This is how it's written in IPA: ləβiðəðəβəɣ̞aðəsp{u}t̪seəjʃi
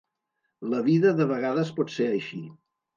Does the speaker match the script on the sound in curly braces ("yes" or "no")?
no